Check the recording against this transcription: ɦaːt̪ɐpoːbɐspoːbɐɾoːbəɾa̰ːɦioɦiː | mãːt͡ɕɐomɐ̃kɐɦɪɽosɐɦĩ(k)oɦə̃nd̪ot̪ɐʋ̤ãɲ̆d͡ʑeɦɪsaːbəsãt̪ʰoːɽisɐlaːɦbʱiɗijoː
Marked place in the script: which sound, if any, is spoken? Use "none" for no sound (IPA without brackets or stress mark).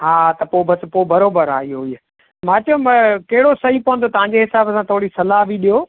p